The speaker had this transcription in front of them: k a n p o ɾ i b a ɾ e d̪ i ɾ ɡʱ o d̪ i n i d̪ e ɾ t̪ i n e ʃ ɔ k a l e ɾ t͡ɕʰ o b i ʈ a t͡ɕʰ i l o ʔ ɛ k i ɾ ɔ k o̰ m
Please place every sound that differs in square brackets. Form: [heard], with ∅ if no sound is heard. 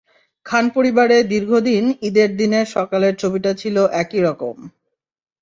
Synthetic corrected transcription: [kʰ] a n p o ɾ i b a ɾ e d̪ i ɾ ɡʱ o d̪ i n i d̪ e ɾ [d̪] i n e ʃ ɔ k a l e ɾ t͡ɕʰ o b i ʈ a t͡ɕʰ i l o ʔ ɛ k i ɾ ɔ k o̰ m